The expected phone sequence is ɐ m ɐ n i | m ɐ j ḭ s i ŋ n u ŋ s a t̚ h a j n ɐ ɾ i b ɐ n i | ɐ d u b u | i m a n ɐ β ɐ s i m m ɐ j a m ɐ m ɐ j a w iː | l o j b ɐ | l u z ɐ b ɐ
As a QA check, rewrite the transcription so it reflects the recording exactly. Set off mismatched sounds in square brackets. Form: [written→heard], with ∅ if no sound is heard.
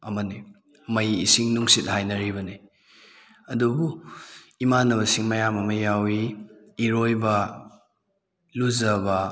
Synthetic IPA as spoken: ɐ m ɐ n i | m ɐ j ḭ s i ŋ n u ŋ s [a→i] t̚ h a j n ɐ ɾ i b ɐ n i | ɐ d u b u | i m a n ɐ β ɐ s i [m→ŋ] m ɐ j a m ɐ m ɐ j a w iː | [l→ɾ] o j b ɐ | l u z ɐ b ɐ